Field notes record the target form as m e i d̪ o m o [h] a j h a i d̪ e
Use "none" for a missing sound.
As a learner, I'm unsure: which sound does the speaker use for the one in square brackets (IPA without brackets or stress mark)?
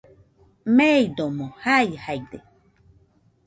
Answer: h